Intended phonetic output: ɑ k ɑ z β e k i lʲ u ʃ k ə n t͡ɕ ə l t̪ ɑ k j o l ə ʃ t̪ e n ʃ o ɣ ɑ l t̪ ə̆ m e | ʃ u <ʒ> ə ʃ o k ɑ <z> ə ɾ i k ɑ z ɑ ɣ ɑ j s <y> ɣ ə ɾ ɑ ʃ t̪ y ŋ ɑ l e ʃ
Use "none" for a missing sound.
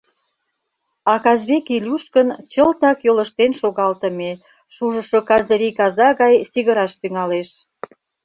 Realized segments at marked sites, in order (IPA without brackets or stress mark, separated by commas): ʒ, z, i